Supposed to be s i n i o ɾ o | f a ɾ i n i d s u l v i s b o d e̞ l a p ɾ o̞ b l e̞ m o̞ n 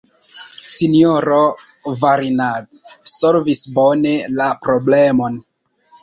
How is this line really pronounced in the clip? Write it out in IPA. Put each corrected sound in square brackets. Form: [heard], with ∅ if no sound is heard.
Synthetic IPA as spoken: s i n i o ɾ o | [v] a ɾ i n [a] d s [o] l v i s b o [n] e̞ l a p ɾ o̞ b l e̞ m o̞ n

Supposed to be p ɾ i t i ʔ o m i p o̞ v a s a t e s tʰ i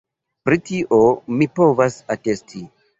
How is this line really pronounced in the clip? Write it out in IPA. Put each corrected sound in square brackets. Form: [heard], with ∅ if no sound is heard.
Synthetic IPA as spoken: p ɾ i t i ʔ o m i p o̞ v a s a t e s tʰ i

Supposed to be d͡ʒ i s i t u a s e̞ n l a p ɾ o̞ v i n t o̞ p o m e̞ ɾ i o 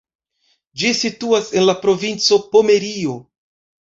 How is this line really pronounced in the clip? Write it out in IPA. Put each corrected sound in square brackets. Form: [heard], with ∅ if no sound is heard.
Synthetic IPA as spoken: d͡ʒ i s i t u a s e̞ n l a p ɾ o̞ v i n [t͡s] o̞ p o m e̞ ɾ i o

